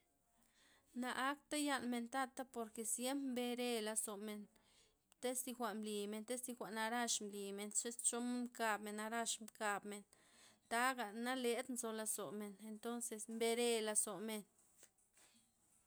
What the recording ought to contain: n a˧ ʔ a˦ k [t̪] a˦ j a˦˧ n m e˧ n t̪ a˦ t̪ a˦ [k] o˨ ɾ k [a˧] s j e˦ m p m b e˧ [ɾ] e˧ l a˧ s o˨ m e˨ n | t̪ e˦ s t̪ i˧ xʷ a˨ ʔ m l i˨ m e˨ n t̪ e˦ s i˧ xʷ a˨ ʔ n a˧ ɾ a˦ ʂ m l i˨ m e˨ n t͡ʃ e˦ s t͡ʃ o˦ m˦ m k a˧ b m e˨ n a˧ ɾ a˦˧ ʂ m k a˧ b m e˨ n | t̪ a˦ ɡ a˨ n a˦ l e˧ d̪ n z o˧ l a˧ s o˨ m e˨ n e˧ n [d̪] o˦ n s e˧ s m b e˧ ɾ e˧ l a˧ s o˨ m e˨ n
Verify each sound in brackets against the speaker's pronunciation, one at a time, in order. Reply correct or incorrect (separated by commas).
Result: correct, incorrect, incorrect, correct, incorrect